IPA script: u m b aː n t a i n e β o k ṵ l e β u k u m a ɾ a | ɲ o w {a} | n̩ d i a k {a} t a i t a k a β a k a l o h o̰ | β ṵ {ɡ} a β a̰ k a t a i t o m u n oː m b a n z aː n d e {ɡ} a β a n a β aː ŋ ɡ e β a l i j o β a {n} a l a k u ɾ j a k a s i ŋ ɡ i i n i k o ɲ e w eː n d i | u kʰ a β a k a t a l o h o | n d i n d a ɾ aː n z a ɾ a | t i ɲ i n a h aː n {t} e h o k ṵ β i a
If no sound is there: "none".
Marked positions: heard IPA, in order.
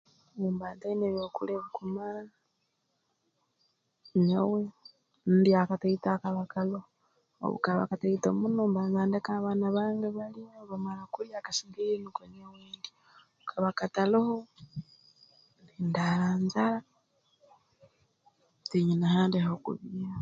e, a, k, k, m, d

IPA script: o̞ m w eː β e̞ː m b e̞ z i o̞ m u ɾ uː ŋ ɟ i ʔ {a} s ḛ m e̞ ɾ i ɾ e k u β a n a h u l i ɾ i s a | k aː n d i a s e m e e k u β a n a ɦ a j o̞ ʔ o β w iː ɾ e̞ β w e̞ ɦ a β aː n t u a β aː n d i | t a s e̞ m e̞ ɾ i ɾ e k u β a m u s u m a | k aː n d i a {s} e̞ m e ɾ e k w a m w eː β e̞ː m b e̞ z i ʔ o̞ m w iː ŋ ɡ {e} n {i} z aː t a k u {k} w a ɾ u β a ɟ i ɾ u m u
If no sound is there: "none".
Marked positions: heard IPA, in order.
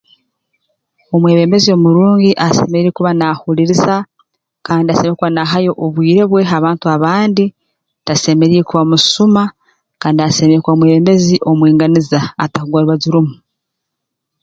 a, s, a, i, ɡ

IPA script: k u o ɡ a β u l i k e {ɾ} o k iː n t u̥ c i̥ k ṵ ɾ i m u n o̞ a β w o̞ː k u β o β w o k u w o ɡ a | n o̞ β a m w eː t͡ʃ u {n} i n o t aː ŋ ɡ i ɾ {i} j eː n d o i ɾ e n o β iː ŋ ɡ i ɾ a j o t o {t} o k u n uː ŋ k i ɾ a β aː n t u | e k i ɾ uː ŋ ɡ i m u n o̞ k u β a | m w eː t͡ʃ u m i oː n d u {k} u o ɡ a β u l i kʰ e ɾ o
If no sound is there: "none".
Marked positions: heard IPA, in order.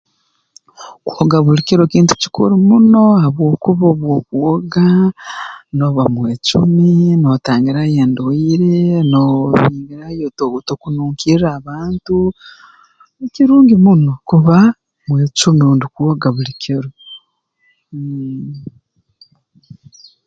ɾ, m, a, t, k

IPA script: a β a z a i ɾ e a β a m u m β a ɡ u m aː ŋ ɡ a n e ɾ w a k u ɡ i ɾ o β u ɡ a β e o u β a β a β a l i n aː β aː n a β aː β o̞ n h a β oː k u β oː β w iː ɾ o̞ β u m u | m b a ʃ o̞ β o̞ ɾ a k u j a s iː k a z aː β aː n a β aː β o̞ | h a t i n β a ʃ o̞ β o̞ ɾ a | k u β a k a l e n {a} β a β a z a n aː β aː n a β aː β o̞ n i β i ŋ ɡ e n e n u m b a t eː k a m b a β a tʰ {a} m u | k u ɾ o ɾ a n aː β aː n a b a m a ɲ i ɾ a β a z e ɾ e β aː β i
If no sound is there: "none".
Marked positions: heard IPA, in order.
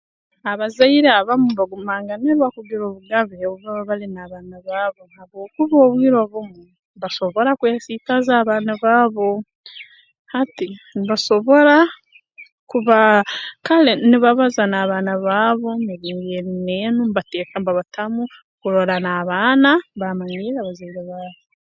i, a

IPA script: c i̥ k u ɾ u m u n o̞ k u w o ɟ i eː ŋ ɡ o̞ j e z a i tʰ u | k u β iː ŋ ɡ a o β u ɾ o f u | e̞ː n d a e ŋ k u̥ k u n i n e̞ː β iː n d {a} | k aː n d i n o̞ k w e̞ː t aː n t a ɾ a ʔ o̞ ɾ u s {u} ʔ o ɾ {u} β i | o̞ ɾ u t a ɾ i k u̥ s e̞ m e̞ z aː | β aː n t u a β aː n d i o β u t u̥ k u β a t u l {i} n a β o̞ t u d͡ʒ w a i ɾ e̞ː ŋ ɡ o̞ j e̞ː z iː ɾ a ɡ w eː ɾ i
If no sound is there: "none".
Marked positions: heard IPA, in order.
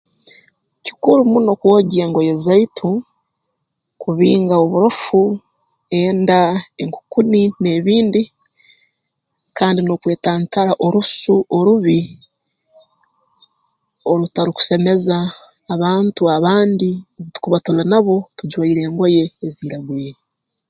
i, u, u, a

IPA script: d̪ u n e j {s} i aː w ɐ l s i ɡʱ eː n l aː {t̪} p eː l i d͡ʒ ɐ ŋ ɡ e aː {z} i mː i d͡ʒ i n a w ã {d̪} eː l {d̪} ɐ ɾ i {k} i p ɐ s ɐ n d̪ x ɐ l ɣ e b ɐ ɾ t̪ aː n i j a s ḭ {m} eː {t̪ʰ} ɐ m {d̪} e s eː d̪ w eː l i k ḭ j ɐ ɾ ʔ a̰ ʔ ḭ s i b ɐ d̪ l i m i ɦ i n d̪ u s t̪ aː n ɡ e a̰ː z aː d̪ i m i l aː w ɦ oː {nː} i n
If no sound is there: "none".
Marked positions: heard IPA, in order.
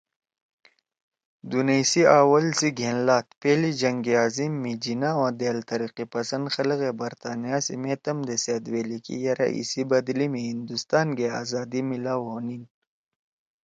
s, t̪, z, d̪, t̪, q, m, t̪, d̪, n

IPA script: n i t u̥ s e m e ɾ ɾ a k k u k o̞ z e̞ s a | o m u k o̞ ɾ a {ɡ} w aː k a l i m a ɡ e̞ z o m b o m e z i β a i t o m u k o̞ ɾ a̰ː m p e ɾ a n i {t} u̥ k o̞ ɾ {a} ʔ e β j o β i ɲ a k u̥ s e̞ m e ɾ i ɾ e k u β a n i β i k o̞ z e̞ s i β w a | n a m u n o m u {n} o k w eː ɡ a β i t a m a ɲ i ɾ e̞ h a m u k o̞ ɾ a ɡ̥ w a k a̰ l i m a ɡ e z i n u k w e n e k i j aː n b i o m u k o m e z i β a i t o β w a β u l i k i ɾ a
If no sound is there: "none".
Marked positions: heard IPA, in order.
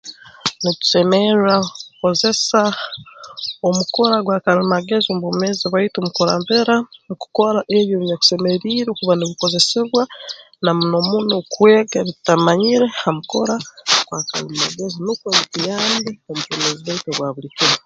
ɡ, k, a, n

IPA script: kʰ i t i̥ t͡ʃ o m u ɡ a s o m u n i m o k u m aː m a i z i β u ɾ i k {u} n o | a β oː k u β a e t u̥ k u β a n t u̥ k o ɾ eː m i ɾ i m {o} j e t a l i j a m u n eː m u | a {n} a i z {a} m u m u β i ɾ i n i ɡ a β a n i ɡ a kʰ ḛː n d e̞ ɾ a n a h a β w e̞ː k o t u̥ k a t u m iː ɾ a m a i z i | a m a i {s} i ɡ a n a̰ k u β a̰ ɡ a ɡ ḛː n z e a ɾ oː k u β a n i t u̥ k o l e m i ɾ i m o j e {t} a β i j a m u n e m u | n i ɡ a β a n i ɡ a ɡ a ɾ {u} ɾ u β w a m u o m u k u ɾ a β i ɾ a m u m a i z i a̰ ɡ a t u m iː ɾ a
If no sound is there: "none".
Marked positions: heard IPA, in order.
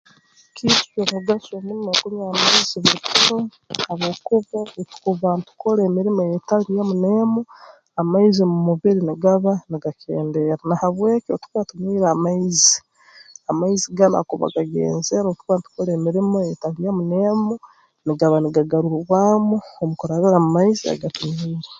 u, o, m, i, z, t, u

